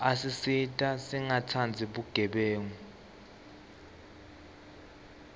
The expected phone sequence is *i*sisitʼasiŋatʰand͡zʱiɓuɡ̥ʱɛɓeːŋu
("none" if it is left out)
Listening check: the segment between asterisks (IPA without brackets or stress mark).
a